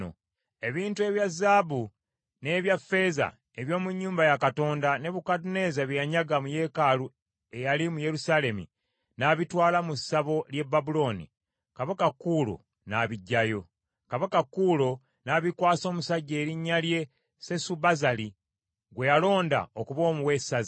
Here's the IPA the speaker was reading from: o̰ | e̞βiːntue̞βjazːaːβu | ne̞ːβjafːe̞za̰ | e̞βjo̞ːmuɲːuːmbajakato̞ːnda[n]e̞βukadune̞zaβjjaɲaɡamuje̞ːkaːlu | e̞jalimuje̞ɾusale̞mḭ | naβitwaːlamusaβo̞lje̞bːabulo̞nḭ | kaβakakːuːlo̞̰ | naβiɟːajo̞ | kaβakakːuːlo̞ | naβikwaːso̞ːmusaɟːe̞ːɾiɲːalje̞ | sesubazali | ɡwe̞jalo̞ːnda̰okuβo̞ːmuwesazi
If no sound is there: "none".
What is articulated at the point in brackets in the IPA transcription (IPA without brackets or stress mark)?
n